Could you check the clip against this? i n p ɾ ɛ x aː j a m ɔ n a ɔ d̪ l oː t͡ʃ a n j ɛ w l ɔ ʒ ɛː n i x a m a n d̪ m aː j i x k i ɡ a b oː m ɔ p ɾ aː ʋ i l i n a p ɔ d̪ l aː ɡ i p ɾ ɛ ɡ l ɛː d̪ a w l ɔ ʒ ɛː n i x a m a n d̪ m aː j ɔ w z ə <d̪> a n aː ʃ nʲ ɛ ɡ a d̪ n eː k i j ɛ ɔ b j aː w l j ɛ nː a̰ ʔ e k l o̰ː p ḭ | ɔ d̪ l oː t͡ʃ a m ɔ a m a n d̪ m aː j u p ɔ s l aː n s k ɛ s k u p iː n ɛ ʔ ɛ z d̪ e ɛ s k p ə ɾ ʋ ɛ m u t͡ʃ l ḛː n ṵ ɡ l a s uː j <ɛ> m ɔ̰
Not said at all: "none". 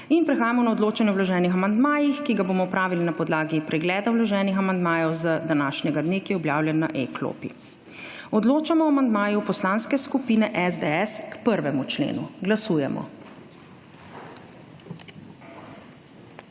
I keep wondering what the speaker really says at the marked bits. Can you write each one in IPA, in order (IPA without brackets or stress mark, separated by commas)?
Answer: d̪, ɛ